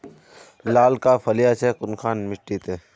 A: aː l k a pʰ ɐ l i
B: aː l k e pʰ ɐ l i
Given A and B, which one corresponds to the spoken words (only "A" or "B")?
A